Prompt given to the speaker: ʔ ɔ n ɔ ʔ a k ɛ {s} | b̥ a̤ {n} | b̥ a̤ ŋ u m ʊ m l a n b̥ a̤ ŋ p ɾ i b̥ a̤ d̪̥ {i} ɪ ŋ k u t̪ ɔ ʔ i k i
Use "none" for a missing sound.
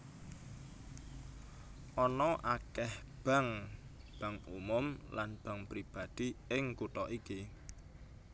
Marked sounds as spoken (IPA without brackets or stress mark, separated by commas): h, ŋ, i